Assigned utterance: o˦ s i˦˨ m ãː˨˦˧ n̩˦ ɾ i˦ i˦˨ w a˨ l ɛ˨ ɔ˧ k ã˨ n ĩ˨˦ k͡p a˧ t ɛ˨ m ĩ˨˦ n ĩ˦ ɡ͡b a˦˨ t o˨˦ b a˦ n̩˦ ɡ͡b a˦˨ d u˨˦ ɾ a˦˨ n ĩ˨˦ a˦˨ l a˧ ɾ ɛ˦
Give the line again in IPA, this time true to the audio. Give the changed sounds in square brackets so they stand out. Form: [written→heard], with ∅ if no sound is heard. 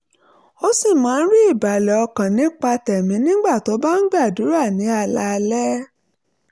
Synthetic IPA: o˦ s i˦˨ m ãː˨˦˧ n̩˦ ɾ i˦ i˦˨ [w→b] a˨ l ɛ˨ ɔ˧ k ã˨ n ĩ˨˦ k͡p a˧ t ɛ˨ m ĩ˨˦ n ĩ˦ ɡ͡b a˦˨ t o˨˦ b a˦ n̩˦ ɡ͡b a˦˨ d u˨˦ ɾ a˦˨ n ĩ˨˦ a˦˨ l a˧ [ɾ→l] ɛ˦

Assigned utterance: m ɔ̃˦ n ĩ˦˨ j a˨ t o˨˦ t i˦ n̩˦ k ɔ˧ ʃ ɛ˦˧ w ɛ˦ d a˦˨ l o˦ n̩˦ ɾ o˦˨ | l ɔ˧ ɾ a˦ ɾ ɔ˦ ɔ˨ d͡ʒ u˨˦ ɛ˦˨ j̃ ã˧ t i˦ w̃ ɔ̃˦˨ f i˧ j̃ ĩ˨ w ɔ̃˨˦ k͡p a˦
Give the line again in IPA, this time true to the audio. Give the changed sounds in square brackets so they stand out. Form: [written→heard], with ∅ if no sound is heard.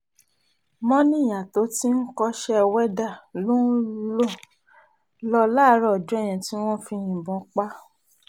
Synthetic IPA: m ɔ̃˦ n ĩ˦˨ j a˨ t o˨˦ t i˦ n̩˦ k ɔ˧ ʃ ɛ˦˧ w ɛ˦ d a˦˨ l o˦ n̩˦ [ɾ→l] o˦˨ | l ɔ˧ [ɾ→l] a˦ ɾ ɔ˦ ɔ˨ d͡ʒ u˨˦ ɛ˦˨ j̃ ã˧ t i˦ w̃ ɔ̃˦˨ f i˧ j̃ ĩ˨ [w→b] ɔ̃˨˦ k͡p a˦

